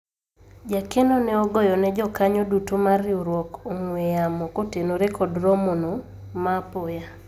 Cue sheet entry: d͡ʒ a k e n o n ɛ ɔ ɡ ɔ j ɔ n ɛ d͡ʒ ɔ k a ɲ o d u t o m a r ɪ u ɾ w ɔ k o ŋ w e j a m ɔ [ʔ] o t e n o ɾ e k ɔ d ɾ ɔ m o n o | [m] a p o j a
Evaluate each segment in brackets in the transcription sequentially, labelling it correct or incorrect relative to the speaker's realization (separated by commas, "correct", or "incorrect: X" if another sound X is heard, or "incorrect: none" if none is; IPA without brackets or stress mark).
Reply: incorrect: k, correct